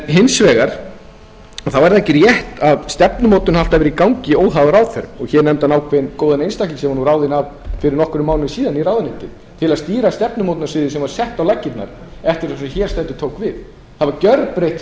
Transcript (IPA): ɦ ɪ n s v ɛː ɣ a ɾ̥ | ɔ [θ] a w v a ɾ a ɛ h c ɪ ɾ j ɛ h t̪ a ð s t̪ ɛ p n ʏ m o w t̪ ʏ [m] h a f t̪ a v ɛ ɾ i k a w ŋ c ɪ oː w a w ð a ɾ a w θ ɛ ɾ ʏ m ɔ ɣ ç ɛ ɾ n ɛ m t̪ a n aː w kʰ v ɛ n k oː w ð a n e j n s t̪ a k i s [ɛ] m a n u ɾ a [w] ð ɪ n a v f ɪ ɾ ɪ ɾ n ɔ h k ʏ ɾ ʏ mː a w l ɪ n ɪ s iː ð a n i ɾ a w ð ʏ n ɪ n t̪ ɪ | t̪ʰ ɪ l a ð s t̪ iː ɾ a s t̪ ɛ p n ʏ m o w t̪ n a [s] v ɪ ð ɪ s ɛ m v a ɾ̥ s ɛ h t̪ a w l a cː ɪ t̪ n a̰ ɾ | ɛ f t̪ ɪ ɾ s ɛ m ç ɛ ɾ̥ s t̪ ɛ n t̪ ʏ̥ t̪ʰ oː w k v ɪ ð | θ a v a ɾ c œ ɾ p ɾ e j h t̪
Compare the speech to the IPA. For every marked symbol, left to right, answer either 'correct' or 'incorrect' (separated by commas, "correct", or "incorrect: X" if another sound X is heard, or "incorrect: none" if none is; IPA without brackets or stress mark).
correct, incorrect: n, correct, correct, correct